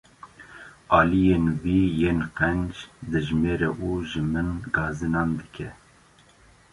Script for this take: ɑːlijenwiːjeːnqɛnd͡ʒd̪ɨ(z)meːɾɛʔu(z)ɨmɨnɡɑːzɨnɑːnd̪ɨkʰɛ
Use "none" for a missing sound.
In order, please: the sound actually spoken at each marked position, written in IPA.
ʒ, ʒ

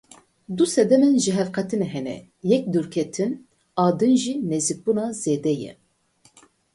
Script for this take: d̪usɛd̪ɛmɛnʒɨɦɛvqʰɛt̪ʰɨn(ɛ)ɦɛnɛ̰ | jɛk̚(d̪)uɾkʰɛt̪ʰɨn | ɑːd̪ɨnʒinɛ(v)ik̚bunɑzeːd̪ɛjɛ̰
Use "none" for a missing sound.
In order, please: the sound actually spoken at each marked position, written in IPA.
ɛ, d̪, z

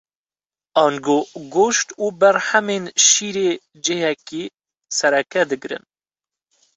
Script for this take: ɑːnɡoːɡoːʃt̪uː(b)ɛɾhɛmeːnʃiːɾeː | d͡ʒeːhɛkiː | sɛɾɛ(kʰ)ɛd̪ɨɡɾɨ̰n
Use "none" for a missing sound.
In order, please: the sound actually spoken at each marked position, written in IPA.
b, k

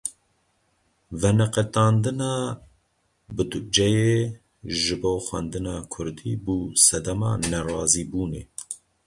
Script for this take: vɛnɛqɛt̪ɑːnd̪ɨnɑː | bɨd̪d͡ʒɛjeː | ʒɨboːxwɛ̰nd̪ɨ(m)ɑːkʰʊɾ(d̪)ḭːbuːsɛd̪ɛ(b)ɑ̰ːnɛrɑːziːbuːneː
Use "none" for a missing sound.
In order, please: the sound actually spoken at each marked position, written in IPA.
n, d̪, m

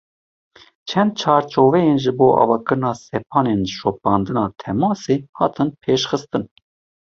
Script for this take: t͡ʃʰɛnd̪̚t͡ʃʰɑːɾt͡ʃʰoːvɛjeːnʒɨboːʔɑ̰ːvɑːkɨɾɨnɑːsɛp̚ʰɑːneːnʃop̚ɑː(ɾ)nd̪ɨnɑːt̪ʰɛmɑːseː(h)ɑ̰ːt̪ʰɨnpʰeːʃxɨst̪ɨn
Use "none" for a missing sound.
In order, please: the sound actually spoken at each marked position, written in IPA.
none, h

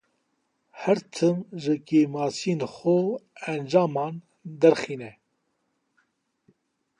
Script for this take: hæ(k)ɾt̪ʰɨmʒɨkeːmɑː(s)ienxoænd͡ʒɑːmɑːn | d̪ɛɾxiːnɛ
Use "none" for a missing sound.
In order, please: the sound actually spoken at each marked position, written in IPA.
none, s

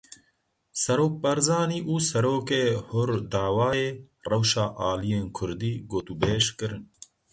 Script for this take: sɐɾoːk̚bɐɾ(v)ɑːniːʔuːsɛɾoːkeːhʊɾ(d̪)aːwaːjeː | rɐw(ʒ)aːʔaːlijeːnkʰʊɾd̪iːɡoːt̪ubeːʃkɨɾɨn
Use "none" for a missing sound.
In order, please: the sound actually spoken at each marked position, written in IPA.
z, d̪, ʃ

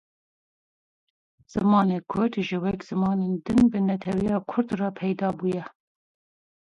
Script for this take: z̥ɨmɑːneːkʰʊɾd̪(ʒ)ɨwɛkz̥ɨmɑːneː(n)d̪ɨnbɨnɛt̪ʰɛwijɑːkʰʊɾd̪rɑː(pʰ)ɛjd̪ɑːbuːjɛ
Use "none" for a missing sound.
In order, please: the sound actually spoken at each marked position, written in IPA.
ʒ, n, pʰ

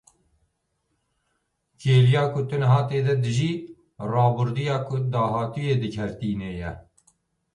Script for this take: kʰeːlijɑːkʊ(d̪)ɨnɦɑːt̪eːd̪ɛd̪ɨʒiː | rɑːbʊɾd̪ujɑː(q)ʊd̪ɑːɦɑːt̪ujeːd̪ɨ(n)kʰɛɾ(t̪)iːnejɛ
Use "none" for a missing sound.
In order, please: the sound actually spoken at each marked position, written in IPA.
t̪, k, none, t̪

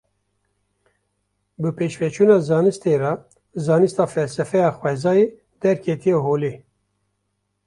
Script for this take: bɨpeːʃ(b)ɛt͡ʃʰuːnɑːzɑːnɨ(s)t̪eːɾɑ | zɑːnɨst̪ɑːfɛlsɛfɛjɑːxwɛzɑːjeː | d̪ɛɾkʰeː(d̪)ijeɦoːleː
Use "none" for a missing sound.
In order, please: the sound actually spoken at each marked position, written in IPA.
v, s, t̪

